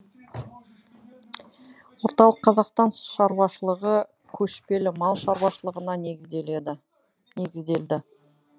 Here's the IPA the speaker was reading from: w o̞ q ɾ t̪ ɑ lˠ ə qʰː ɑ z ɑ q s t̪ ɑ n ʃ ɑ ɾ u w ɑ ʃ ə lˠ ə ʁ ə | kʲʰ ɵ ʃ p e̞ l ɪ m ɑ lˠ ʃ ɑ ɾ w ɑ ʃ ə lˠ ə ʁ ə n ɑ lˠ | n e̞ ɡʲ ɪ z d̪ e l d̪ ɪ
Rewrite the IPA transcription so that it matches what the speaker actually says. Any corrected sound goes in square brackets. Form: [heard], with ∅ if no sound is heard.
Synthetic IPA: w o̞ [∅] ɾ t̪ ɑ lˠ ə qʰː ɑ z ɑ q s t̪ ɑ n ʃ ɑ ɾ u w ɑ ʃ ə lˠ ə ʁ ə | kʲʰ ɵ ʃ p e̞ l ɪ m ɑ lˠ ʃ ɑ ɾ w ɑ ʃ ə lˠ ə ʁ ə n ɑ [∅] | n e̞ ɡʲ ɪ z d̪ e l d̪ ɪ